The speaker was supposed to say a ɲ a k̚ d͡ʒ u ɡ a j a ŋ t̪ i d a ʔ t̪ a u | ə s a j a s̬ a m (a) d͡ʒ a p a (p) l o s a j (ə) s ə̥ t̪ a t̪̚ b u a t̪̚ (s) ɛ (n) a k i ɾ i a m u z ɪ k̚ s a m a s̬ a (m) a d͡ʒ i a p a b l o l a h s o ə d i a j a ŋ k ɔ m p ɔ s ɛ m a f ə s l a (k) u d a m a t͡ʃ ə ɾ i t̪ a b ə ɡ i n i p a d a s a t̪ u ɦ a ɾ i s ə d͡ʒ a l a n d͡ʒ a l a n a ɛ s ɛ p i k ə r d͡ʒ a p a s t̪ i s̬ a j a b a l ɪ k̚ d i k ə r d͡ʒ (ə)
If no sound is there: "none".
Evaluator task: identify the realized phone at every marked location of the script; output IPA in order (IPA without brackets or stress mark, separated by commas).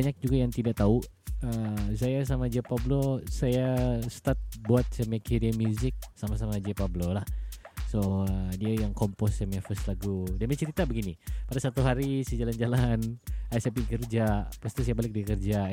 a, b, a, s, m, m, ɡ, a